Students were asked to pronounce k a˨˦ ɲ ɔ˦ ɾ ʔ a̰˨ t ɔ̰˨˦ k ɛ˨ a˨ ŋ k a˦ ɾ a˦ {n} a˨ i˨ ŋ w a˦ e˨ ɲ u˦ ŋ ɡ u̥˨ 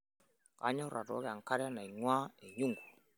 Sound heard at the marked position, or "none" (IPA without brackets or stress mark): n